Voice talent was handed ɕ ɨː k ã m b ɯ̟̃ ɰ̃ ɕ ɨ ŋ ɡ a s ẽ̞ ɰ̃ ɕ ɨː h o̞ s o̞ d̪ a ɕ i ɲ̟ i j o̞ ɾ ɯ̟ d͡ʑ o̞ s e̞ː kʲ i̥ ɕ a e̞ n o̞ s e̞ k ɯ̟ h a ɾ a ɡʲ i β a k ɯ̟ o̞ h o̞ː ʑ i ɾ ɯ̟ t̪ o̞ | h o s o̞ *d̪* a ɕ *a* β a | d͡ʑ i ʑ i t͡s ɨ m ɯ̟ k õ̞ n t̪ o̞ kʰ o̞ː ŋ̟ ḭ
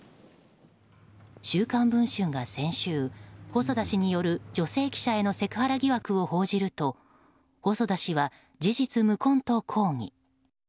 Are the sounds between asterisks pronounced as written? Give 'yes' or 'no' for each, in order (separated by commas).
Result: yes, no